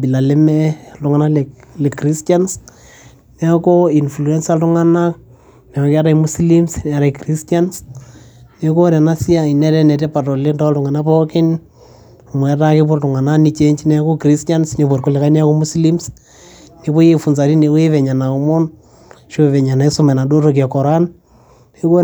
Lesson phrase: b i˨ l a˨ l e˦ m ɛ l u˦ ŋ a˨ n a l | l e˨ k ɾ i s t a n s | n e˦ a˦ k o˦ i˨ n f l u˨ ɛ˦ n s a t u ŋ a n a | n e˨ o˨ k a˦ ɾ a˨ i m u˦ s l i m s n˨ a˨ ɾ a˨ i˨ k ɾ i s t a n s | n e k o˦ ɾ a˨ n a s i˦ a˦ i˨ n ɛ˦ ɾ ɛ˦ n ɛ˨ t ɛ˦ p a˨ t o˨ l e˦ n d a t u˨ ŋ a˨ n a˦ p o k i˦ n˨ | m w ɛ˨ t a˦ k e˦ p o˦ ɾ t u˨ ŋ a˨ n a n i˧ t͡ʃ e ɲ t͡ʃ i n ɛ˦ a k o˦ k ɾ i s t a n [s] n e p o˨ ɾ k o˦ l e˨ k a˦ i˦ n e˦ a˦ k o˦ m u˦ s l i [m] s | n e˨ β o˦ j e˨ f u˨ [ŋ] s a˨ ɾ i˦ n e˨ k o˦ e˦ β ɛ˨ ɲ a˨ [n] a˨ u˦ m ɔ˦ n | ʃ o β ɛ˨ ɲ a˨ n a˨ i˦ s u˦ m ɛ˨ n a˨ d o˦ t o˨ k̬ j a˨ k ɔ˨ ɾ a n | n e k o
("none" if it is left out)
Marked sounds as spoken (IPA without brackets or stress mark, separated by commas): s, m, n, n